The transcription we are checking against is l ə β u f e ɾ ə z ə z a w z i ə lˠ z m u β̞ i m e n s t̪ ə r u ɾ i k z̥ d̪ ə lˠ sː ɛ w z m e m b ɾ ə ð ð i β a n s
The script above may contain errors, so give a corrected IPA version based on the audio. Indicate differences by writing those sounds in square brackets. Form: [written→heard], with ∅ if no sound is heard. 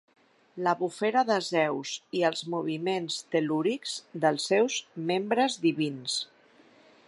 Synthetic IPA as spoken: l ə β u f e ɾ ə [z→ð] ə z [a→ɛ] w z i ə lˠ z m u β̞ i m e n s t̪ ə [r→l] u ɾ i k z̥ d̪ ə lˠ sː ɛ w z m e m b ɾ ə [ð→z] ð i β [a→i] n s

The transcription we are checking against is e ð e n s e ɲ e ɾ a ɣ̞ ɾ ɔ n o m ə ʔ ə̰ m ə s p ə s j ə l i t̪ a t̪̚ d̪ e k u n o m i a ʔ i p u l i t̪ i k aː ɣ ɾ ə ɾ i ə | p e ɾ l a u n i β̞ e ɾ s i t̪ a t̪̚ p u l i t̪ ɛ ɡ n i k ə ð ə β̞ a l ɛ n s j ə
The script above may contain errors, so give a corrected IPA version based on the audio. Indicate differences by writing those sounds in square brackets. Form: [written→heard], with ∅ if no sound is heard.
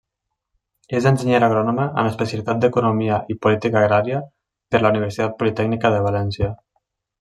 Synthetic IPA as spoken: e [ð→z] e n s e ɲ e ɾ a ɣ̞ ɾ ɔ n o m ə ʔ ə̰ m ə s p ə s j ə l i t̪ a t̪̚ d̪ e k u n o m i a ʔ i p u l i t̪ i k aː ɣ ɾ [ə→a] ɾ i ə | p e ɾ l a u n i β̞ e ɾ s i t̪ a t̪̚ p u l i t̪ ɛ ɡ n i k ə ð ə β̞ a l ɛ n s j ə

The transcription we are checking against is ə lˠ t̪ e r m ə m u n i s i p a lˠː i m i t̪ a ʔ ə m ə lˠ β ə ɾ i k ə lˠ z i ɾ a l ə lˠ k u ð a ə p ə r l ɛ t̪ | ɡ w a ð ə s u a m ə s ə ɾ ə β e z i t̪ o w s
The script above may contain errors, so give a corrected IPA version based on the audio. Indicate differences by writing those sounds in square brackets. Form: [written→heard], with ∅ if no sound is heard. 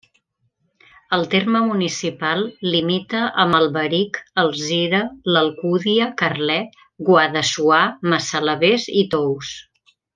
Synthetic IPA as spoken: ə lˠ t̪ e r m ə m u n i s i p a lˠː i m i t̪ [a→ə] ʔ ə m ə lˠ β ə ɾ i k ə lˠ z i ɾ [a→ə] l ə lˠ k u ð [a→i] ə [p→k] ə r l ɛ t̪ | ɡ w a ð ə s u a m ə s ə [ɾ→l] ə β e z i t̪ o w s

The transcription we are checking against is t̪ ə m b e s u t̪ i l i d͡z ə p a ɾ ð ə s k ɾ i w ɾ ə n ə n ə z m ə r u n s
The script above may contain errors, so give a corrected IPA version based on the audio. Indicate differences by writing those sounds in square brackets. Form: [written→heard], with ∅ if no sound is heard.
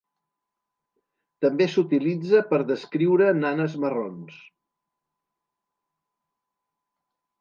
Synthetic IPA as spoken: t̪ ə m b e s u t̪ i l i d͡z ə p [a→ə] ɾ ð ə s k ɾ i w ɾ ə n [ə→a] n ə z m ə r [u→o] n s

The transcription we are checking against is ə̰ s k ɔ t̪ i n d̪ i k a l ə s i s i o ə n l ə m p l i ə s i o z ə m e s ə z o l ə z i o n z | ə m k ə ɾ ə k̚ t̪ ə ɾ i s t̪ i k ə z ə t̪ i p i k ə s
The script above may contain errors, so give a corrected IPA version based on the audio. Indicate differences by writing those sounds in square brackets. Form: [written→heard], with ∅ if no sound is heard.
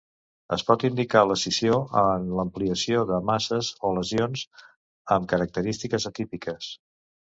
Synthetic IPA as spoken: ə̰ s [k→p] ɔ t̪ i n d̪ i k a l ə s i s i o ə n l ə m p l i ə s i o [z→ð] ə m [e→a] s ə z o l ə z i o n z | ə m k ə ɾ ə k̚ t̪ ə ɾ i s t̪ i k ə z ə t̪ i p i k ə s

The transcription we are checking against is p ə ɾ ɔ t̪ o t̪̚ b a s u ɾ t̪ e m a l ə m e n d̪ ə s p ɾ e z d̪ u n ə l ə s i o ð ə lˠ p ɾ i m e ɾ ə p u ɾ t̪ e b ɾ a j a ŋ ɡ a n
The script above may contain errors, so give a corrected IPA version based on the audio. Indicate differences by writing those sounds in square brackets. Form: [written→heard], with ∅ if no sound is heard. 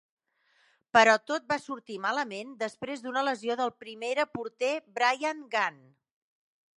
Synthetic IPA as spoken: p ə ɾ ɔ t̪ o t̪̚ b a s u ɾ t̪ [e→i] m a l ə m e n d̪ ə s p ɾ e z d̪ u n ə l ə [s→z] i o ð ə lˠ p ɾ i m e ɾ ə p u ɾ t̪ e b ɾ a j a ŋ ɡ a n

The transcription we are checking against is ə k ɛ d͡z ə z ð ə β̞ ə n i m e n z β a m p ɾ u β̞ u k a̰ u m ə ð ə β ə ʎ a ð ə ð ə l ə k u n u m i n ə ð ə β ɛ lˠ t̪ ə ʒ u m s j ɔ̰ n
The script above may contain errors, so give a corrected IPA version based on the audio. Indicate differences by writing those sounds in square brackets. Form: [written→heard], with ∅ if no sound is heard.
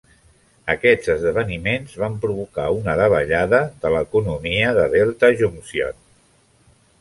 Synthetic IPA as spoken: ə k ɛ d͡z ə z ð ə β̞ ə n i m e n z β a m p ɾ u β̞ u k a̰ u [m→n] ə ð ə β ə ʎ a ð ə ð ə l ə k u n u m i [n→∅] ə ð ə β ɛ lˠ t̪ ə ʒ u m s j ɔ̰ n

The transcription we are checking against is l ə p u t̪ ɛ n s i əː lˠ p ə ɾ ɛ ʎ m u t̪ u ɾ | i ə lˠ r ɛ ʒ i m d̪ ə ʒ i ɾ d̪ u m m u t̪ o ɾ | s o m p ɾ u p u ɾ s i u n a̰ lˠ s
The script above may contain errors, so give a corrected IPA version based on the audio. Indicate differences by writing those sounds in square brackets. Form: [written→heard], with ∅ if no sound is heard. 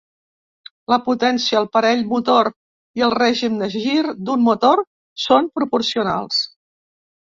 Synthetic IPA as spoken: l ə p u t̪ ɛ n s i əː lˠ p ə ɾ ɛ ʎ m u t̪ [u→o] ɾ | i ə lˠ r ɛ ʒ i m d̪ ə ʒ i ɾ d̪ u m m u t̪ o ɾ | s o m p ɾ u p u ɾ s i u n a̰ lˠ s

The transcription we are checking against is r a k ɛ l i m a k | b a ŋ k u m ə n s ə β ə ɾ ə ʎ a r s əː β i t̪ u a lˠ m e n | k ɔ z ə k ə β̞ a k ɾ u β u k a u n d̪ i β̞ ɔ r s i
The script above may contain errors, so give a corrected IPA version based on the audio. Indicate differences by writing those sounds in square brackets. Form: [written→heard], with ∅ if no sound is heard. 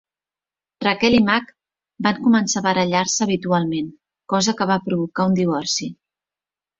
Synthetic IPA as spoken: r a k ɛ l i m a k | b a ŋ k u m ə n s [ə→a] β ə ɾ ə ʎ a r s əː β i t̪ u a lˠ m e n | k ɔ z ə k ə β̞ a [k→p] ɾ u β u k a u n d̪ i β̞ ɔ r s i

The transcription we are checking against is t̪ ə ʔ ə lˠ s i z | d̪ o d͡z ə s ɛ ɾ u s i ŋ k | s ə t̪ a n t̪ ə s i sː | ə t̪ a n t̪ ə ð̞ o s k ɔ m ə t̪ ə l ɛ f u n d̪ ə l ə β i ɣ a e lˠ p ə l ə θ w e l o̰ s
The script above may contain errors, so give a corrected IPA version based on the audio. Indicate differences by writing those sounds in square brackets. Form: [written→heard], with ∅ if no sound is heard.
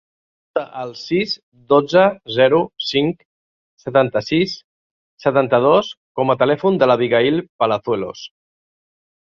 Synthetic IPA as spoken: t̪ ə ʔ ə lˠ s i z | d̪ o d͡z ə [s→z] ɛ ɾ u s i ŋ k | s ə t̪ a n t̪ ə s i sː | ə t̪ a n t̪ ə ð̞ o s k ɔ m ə t̪ ə l ɛ f u n d̪ ə l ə β i ɣ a [e→i] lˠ p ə l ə θ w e l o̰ s

